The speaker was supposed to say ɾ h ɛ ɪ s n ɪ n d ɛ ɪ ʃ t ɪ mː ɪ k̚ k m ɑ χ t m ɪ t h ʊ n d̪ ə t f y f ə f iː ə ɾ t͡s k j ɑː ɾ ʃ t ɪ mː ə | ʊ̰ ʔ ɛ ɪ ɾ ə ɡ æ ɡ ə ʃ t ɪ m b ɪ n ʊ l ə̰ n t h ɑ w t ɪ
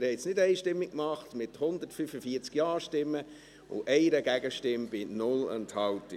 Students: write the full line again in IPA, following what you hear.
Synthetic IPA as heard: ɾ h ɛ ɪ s n ɪ d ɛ ɪ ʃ t ɪ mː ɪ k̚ k m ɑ χ t m ɪ t h ʊ n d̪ ə t f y f ə f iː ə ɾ t͡s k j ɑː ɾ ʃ t ɪ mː ə | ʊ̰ ʔ ɛ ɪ ɾ ə ɡ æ ɡ ə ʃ t ɪ m b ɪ n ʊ l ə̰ n t h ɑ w t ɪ